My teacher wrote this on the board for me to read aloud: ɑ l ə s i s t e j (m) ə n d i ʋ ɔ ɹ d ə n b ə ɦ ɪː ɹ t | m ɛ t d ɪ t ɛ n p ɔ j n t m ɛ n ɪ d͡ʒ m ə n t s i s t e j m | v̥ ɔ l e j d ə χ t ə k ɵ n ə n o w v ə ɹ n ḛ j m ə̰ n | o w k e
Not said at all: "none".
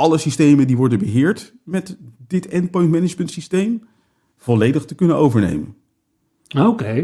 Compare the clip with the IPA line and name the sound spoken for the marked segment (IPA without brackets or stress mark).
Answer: m